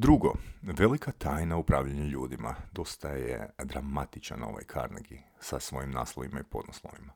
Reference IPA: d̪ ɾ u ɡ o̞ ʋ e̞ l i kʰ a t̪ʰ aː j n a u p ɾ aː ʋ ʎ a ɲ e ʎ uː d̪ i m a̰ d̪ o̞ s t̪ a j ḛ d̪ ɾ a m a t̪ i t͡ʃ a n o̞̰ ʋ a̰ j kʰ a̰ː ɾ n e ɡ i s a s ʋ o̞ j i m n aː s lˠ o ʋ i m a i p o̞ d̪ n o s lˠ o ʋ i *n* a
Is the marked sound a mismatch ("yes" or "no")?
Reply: yes